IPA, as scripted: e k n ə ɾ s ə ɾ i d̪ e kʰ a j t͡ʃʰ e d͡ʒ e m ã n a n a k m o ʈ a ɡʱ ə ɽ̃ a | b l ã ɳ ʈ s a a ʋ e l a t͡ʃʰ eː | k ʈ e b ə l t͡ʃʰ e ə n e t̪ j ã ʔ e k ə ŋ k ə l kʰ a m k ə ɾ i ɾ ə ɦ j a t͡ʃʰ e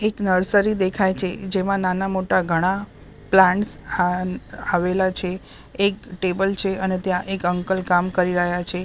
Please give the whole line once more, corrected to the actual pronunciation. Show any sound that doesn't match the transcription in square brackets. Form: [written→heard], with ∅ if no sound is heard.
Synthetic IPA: e k n ə ɾ s ə ɾ i d̪ e kʰ a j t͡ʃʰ e d͡ʒ e m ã n a n a [k→∅] m o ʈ a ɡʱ ə ɽ̃ a | [b→p] l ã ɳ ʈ s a a ʋ e l a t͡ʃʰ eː | k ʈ e b ə l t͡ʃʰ e ə n e t̪ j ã ʔ e k ə ŋ k ə l [kʰ→k] a m k ə ɾ i ɾ ə ɦ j a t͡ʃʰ e